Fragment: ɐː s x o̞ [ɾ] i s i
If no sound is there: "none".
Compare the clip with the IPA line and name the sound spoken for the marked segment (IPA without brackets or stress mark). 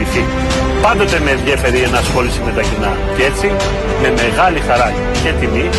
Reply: l